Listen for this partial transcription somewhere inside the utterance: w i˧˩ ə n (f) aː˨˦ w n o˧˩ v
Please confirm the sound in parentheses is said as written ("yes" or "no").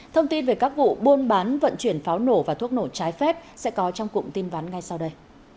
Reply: yes